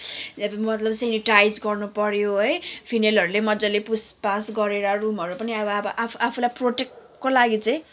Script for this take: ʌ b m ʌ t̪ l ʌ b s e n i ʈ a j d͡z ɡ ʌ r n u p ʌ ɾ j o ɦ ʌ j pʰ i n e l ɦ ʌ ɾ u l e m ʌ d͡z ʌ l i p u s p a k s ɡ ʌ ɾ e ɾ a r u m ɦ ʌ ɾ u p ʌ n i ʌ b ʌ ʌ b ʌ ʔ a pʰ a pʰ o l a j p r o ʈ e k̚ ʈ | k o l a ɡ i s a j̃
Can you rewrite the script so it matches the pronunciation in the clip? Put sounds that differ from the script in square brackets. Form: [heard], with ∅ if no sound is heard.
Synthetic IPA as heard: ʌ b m ʌ t̪ l ʌ b s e n i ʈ a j d͡z ɡ ʌ r n u p ʌ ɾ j o ɦ ʌ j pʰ i n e l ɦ ʌ ɾ u l e m ʌ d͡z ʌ l [e] p u s p a [∅] s ɡ ʌ ɾ e ɾ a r u m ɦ ʌ ɾ u p ʌ n i ʌ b ʌ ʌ b ʌ ʔ a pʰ a pʰ [u] l a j p r o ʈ e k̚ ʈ | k o l a ɡ i [t͡s] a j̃